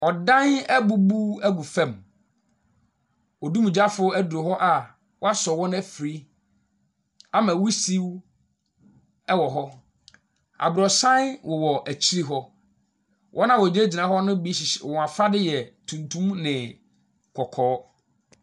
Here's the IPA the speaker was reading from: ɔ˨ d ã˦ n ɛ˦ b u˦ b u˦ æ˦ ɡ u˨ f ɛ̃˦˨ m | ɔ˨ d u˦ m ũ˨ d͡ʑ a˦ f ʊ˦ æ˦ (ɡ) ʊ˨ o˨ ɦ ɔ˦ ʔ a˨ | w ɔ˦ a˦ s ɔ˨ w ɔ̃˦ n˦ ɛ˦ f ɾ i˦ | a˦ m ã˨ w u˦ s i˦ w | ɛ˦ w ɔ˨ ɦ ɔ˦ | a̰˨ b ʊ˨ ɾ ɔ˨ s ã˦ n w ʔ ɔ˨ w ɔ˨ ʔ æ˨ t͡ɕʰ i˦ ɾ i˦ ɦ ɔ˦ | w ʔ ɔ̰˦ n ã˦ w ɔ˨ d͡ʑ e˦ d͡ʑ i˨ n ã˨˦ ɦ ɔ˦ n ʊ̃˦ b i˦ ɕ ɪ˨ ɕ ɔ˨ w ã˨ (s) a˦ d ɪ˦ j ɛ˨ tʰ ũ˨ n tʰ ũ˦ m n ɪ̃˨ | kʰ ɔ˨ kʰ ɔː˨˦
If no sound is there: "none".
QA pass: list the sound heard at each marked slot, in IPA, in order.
d, f

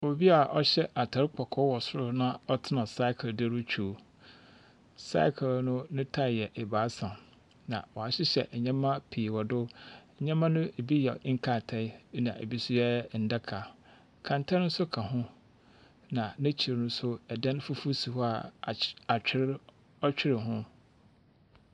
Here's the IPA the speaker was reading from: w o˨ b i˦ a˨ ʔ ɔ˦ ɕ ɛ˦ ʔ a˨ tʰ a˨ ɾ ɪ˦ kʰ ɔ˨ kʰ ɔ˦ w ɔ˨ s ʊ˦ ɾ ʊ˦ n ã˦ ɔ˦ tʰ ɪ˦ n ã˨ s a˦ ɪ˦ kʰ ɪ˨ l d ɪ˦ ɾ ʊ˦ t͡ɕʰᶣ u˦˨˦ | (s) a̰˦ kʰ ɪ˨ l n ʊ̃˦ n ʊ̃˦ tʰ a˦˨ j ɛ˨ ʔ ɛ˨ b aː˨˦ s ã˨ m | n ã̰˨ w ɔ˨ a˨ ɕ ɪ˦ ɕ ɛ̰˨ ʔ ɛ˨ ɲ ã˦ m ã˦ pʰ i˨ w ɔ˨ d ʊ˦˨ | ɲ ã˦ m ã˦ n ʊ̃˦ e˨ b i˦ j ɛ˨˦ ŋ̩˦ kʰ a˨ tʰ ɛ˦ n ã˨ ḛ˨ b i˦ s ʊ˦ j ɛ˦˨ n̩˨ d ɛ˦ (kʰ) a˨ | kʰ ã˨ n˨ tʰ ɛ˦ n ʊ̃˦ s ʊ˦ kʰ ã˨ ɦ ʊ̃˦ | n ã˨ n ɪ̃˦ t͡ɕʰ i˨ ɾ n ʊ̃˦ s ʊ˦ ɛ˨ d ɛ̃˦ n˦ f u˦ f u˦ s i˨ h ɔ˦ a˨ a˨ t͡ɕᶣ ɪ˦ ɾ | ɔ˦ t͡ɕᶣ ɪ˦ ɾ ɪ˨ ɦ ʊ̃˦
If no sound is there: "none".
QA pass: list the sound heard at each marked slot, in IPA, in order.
s, kʰ

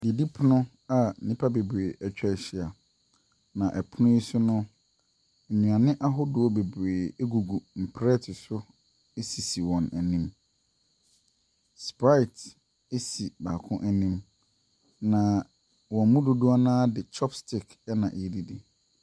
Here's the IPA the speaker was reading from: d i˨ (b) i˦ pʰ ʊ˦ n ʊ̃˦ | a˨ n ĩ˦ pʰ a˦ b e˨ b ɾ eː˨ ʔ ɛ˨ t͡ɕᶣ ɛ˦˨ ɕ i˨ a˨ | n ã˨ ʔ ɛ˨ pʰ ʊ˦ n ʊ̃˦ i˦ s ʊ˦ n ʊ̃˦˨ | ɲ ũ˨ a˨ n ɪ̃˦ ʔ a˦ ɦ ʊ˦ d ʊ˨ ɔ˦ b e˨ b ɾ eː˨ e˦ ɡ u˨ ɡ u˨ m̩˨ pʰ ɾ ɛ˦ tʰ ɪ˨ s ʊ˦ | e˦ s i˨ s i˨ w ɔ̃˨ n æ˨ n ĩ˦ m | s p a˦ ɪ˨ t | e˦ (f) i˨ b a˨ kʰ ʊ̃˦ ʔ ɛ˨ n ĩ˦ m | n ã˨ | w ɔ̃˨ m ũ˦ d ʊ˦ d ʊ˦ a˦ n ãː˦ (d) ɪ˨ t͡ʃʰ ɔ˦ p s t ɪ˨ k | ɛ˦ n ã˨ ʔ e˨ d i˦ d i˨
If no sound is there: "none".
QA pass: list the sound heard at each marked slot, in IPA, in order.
d, s, d

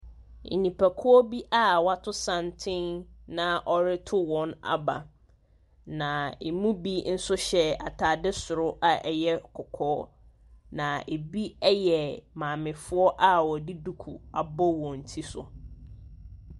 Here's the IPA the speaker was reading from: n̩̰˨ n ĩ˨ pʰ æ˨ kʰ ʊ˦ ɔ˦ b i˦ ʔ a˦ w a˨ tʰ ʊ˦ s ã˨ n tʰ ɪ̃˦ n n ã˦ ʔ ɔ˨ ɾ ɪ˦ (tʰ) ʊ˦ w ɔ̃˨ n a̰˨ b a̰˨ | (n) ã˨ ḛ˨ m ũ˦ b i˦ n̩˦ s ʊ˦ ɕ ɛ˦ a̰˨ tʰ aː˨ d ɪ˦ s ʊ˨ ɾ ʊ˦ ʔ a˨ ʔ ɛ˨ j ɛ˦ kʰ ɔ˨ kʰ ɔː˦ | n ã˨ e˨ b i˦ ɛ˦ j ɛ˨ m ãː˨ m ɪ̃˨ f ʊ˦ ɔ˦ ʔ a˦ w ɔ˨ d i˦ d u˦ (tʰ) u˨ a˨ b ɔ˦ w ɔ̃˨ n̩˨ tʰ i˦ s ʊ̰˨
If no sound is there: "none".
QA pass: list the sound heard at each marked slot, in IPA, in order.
tʰ, n, kʰ

